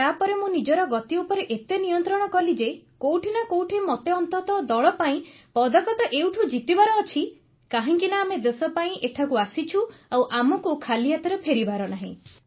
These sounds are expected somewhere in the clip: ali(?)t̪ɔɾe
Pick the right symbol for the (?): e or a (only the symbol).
a